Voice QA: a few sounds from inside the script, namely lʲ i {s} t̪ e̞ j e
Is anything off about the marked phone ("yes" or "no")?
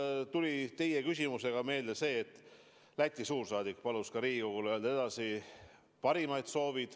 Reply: yes